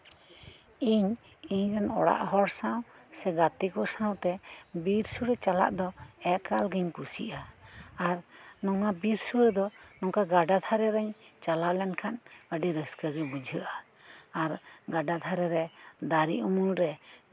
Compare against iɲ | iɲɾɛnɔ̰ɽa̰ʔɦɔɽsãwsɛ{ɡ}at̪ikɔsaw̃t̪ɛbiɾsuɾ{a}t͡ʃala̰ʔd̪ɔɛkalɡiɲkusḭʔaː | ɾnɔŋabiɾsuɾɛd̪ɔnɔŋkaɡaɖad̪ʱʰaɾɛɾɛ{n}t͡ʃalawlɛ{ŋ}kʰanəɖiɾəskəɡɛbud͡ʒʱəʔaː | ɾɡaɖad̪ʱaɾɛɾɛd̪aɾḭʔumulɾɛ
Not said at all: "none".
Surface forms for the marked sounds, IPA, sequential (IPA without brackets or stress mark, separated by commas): ɡ, ɛ, ɲ, n